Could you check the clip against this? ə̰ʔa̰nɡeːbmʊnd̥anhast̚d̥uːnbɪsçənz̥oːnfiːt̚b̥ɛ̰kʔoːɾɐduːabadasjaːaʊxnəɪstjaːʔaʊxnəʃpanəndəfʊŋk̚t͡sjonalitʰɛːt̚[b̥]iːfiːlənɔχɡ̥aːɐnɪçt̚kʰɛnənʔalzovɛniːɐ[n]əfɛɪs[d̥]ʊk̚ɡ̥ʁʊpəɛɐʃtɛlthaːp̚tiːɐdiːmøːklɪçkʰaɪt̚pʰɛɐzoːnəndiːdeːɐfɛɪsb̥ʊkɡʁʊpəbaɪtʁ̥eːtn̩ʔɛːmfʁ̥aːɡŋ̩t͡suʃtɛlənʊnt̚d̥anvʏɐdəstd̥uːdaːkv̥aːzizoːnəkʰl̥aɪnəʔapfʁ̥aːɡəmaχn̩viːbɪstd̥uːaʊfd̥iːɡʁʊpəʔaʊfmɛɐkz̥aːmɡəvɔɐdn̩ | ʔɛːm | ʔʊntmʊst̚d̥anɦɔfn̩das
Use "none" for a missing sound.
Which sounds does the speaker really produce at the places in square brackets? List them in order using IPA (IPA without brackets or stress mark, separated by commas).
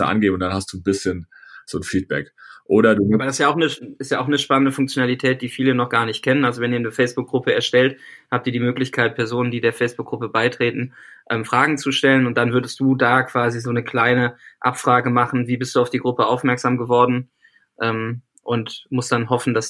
d̥, n, b̥